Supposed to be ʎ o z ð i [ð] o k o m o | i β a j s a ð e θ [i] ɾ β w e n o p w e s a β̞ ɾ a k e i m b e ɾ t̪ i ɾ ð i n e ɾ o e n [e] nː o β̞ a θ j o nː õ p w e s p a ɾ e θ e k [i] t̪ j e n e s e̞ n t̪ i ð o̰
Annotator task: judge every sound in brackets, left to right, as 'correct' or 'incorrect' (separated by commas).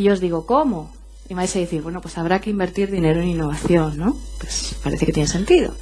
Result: incorrect, correct, incorrect, incorrect